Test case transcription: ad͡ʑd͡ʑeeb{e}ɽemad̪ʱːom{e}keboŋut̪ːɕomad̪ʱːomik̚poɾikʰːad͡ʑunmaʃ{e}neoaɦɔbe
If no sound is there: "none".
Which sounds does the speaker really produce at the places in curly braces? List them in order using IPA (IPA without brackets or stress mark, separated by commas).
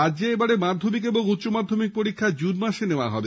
a, i, e